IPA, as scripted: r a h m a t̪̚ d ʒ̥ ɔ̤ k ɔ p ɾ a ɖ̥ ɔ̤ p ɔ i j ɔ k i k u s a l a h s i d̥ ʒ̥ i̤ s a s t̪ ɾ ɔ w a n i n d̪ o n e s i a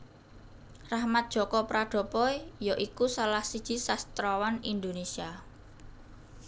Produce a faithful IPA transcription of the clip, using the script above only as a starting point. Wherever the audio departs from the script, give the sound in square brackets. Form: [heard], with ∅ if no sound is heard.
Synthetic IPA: r a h m a t̪̚ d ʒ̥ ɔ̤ k ɔ p ɾ a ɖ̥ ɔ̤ p ɔ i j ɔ [ʔ] i k u s a l a h s i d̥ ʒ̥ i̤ s a s t̪ ɾ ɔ w a n i n d̪ o n e s i a